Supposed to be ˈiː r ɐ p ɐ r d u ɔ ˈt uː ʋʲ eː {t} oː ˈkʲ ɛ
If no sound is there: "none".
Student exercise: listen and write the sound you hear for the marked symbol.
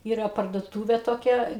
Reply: t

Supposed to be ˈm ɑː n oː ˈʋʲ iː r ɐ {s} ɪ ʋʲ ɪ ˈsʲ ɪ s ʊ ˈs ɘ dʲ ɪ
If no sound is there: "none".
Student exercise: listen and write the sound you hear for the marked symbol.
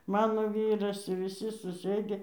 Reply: s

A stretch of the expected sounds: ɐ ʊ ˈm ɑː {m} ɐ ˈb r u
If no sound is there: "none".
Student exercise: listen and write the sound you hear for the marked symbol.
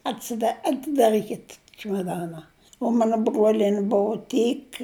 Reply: n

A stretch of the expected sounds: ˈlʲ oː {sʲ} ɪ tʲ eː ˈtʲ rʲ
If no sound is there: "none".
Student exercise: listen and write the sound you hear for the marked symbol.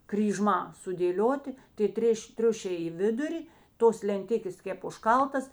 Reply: tʲ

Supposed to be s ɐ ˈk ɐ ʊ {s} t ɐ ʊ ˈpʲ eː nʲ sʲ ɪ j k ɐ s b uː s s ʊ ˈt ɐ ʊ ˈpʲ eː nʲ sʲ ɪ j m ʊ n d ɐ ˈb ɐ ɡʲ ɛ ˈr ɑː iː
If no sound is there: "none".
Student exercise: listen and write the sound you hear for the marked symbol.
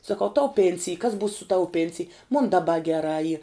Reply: none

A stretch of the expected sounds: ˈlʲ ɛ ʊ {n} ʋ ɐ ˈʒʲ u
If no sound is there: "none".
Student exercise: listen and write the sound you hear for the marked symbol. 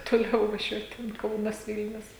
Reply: none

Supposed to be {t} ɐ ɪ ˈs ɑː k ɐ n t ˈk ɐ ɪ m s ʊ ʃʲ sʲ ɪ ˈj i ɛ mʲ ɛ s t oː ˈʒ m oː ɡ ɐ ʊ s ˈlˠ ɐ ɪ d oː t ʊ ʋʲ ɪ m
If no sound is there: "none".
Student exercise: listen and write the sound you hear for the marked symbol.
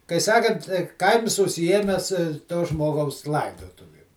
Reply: k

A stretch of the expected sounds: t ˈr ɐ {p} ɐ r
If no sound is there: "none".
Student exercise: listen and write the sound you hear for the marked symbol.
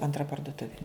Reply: p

